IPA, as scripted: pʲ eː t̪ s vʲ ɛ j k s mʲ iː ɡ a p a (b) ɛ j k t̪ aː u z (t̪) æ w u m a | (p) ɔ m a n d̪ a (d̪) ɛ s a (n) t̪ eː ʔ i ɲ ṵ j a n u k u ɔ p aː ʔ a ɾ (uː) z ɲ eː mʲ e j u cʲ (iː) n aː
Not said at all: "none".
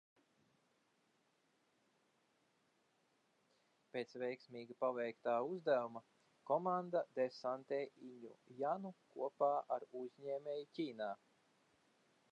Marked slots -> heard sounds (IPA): v, d̪, k, d̪, n, u, iː

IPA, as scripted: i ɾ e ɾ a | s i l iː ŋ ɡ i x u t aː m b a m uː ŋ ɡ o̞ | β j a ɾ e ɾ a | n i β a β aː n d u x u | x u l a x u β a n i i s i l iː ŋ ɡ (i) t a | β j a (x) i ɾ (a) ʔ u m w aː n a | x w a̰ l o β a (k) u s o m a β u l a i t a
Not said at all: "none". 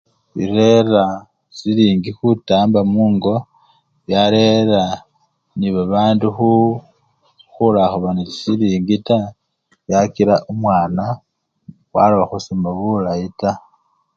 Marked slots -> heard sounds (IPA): i, k, a, x

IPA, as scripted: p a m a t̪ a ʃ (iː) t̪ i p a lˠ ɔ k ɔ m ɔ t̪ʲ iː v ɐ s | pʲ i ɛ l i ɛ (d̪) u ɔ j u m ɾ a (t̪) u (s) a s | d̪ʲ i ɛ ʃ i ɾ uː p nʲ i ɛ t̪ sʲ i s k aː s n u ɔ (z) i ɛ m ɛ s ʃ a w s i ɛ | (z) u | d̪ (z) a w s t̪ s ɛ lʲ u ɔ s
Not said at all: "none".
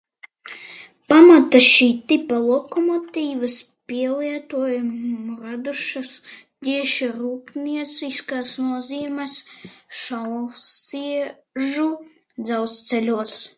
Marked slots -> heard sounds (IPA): iː, t̪, d̪, ʃ, z, ʒ, z

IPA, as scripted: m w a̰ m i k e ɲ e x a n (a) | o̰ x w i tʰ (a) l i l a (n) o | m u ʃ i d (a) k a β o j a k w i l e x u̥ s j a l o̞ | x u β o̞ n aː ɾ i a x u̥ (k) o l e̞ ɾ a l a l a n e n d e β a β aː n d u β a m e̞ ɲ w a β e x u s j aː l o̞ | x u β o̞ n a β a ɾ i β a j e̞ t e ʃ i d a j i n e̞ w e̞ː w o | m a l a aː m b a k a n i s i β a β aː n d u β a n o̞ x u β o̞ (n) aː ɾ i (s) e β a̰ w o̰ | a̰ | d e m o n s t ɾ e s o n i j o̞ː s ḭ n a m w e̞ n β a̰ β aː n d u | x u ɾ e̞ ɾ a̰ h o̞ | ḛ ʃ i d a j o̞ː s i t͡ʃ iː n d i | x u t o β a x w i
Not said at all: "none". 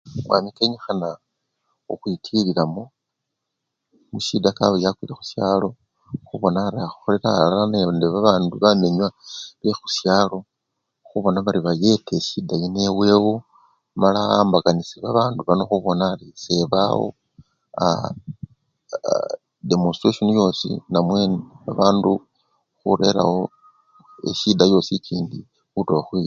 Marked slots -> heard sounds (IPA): a, i, m, a, x, n, s

